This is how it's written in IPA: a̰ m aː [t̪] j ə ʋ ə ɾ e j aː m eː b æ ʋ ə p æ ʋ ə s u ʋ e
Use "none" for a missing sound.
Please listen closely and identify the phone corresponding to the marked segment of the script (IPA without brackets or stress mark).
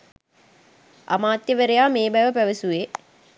t̪